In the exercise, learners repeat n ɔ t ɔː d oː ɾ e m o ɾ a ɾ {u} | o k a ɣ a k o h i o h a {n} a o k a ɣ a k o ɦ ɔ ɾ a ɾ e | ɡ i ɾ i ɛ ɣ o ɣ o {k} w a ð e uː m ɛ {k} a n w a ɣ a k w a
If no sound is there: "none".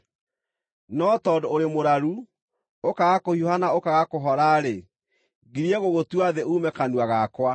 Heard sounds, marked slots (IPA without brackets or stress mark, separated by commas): u, n, t, k